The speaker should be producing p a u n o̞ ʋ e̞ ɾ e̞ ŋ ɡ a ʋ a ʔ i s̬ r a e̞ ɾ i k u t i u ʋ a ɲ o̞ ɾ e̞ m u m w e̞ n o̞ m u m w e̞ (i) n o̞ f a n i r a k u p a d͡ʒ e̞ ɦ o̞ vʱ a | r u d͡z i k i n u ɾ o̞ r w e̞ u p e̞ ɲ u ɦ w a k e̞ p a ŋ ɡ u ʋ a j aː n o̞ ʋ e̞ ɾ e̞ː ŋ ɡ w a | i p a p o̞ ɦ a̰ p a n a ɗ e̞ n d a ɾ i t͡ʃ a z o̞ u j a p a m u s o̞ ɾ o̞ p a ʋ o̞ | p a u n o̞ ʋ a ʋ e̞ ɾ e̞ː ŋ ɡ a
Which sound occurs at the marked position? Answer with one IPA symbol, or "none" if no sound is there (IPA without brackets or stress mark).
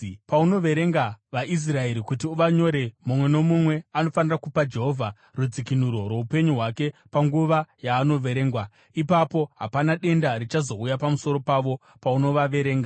a